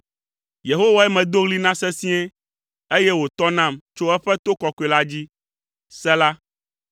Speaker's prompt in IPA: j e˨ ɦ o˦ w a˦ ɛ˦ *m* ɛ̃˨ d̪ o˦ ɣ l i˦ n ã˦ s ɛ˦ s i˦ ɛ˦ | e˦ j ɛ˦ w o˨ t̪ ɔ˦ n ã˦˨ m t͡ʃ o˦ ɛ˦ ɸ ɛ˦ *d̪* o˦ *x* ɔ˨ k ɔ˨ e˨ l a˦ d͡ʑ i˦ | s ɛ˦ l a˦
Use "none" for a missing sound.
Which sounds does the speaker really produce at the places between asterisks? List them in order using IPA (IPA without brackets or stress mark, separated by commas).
m, t̪, k